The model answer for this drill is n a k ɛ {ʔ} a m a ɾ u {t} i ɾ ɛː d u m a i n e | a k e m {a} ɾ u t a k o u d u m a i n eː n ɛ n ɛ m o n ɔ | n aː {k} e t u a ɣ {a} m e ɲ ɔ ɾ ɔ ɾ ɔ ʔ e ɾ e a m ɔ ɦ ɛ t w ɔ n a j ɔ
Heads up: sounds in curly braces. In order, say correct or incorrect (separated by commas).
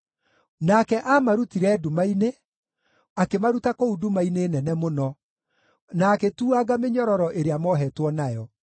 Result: correct, correct, correct, correct, correct